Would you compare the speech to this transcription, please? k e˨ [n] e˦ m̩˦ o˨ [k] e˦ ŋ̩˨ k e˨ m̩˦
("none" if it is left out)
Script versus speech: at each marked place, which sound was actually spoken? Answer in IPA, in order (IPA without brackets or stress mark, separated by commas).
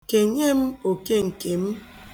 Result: ɲ, k